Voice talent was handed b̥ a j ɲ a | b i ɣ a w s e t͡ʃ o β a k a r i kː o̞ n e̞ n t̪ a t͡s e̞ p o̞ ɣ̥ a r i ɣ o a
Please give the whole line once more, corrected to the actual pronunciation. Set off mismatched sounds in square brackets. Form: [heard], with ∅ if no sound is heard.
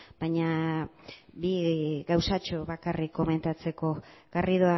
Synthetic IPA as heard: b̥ a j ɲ a | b i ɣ a w s [a] t͡ʃ o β a k a r i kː o̞ [m] e̞ n t̪ a t͡s e̞ [k] o̞ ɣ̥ a r i [ð] o a